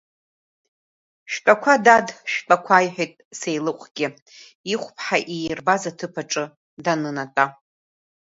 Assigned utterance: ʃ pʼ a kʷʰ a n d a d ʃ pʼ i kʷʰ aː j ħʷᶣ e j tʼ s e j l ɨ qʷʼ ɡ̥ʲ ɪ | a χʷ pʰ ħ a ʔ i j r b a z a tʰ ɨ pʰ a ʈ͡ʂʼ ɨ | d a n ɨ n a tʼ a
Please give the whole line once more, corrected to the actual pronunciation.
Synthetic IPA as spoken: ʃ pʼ a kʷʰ a d a d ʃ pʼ a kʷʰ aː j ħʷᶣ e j tʼ s e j l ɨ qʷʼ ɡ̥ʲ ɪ | i χʷ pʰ ħ a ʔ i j r b a z a tʰ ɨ pʰ a ʈ͡ʂʼ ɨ | d a n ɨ n a tʼ a